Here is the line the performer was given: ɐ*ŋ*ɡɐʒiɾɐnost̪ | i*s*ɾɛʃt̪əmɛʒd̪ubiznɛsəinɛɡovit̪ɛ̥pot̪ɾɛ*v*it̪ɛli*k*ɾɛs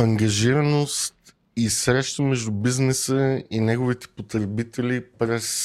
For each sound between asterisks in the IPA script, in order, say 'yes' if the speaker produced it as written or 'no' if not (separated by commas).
yes, yes, no, no